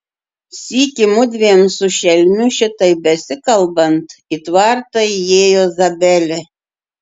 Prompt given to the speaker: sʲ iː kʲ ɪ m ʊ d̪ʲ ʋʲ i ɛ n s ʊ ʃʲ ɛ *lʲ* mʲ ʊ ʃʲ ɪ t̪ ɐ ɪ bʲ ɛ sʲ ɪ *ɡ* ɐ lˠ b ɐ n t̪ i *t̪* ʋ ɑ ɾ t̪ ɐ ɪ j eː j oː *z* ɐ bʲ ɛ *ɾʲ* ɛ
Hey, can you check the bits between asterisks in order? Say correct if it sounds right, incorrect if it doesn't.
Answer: correct, incorrect: k, correct, correct, incorrect: lʲ

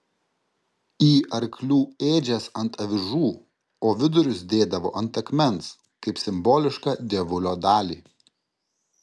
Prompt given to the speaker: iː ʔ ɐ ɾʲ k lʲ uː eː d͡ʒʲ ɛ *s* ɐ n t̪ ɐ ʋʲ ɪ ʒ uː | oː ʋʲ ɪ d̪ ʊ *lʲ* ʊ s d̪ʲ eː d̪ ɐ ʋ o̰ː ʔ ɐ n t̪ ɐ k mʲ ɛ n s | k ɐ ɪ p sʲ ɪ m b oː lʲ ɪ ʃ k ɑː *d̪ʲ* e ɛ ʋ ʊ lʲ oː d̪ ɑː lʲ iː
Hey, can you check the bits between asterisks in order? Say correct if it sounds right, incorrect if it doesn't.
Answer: correct, incorrect: ɾʲ, correct

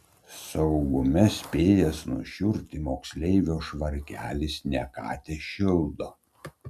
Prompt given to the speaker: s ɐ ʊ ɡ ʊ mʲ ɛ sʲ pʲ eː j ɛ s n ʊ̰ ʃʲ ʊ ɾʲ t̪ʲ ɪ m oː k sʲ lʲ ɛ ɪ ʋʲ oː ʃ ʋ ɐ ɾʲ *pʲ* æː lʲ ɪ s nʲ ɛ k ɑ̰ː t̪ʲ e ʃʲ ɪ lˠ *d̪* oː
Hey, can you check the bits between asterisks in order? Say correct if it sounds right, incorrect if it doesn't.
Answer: incorrect: kʲ, correct

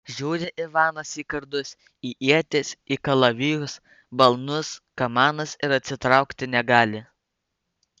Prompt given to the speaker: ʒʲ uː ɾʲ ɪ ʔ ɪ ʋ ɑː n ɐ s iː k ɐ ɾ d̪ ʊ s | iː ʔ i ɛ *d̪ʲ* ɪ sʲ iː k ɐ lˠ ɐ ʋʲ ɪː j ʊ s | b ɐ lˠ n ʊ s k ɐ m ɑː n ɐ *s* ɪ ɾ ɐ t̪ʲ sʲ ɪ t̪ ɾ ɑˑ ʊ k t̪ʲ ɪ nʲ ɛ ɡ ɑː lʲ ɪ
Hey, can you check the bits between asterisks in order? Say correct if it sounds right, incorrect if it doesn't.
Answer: incorrect: t̪ʲ, correct

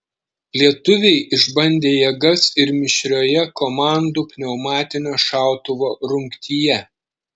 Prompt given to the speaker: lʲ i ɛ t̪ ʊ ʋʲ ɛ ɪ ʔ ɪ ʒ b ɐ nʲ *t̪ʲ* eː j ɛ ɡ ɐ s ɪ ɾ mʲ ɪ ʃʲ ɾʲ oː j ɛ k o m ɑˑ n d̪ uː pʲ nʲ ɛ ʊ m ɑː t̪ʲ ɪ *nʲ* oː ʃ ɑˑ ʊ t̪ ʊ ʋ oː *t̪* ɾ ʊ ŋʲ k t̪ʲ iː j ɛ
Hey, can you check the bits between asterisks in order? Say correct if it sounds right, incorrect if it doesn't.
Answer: incorrect: d̪ʲ, correct, incorrect: none

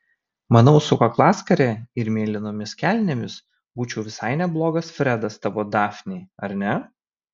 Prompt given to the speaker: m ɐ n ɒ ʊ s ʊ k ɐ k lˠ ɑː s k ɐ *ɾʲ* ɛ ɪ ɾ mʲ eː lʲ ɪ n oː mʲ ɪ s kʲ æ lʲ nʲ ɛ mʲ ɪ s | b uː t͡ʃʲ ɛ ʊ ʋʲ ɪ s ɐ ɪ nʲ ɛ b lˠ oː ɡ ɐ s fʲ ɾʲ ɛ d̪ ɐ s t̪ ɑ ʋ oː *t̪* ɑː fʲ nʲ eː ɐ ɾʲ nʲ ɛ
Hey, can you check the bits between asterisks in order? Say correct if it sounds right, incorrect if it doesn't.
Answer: correct, incorrect: d̪

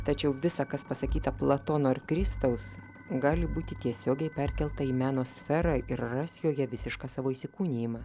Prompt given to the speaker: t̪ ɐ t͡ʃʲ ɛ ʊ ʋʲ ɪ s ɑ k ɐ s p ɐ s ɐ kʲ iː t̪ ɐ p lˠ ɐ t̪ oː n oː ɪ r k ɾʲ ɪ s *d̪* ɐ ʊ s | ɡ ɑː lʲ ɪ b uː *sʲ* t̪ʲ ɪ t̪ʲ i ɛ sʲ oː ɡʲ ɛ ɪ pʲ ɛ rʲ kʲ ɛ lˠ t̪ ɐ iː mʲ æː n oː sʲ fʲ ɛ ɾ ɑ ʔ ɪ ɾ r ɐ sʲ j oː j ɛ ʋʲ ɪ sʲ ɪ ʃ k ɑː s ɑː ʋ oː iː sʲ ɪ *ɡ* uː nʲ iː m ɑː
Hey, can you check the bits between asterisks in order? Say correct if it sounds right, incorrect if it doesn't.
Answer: incorrect: t̪, incorrect: none, incorrect: k

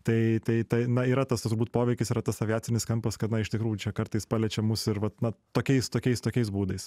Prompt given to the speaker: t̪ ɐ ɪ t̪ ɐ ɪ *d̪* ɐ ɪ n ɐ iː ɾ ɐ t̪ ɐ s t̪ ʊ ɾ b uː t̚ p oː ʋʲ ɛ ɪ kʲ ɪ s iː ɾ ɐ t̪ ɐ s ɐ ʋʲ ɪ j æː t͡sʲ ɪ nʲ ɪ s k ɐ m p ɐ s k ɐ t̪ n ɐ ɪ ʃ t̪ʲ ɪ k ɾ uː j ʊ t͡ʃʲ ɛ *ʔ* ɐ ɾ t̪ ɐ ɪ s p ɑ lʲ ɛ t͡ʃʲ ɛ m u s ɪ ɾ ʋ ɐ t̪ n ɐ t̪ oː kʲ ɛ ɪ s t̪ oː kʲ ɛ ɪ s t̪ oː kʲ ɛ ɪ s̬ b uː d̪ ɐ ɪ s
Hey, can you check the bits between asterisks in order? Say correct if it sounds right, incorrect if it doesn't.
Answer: incorrect: t̪, incorrect: k

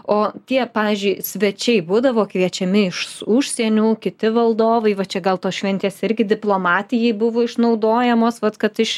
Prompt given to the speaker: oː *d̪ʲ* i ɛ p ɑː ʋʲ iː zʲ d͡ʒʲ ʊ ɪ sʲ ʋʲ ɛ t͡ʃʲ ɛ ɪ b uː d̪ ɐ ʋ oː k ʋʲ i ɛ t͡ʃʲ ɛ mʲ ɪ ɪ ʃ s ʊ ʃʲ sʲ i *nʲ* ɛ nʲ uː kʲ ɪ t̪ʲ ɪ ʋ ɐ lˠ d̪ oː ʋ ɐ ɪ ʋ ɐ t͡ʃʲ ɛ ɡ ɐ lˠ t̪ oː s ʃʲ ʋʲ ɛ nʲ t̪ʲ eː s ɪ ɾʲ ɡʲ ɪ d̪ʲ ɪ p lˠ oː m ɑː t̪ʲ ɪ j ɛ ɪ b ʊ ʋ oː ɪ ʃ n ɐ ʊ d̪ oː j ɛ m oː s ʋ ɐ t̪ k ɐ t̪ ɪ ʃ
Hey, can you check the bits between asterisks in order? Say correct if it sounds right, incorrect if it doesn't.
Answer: incorrect: t̪ʲ, incorrect: none

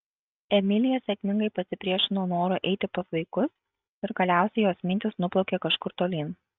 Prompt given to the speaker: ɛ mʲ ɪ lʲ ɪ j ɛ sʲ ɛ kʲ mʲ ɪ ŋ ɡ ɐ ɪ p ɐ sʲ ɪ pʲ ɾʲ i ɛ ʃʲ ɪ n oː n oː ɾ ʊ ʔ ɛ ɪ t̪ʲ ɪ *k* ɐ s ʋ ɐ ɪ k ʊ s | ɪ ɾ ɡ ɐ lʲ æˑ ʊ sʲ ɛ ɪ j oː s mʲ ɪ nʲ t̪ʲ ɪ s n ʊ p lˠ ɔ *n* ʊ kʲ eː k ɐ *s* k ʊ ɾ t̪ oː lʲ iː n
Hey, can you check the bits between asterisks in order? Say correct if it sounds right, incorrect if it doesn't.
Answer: incorrect: p, incorrect: none, incorrect: ʃ

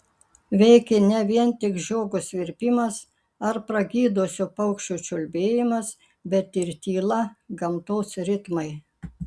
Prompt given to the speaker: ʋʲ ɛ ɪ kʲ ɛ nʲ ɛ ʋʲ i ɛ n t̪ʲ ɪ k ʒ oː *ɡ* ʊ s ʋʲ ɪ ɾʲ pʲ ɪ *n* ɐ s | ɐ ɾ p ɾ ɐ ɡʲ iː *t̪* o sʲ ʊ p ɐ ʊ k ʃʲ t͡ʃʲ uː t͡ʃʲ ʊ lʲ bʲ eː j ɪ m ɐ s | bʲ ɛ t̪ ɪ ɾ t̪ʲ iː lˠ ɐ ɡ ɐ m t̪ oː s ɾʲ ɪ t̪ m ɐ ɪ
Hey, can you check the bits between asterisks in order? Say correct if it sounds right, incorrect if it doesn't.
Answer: correct, incorrect: m, incorrect: d̪

